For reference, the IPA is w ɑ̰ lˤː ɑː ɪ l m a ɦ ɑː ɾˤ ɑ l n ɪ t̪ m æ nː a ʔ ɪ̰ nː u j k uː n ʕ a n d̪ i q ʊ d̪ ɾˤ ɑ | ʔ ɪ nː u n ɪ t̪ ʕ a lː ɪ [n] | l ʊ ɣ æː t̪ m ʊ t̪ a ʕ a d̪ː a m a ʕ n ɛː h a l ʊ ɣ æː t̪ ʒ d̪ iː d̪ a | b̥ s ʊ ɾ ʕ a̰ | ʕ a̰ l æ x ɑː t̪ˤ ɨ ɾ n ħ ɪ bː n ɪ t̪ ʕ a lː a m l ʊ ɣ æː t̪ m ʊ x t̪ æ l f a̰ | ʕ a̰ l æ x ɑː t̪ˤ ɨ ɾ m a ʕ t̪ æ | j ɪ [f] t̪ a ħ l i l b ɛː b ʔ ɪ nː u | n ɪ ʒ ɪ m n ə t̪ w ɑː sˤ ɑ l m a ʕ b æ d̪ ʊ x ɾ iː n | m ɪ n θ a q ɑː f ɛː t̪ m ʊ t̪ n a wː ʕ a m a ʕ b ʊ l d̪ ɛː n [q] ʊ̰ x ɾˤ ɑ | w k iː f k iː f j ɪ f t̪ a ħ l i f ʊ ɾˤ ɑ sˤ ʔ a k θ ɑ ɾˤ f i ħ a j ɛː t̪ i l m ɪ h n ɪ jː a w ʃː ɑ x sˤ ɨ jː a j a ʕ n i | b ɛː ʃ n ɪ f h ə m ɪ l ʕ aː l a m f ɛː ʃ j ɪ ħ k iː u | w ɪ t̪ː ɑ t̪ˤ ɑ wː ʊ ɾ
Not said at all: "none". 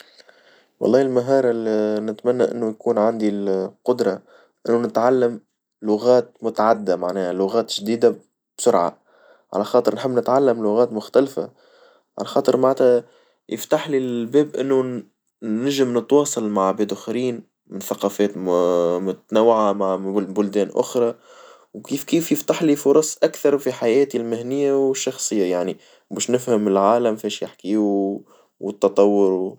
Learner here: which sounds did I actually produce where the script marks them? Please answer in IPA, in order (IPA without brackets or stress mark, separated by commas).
m, f, ʔ